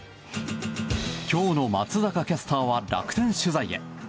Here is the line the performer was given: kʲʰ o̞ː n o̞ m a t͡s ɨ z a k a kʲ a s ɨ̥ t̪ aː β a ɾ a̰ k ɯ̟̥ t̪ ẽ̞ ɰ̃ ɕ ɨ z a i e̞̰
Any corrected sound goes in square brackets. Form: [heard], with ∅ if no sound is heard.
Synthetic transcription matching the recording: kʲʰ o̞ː n o̞ m a t͡s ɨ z a k a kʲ a s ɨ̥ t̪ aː β a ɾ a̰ k ɯ̟̥ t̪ ẽ̞ ɰ̃ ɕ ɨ z a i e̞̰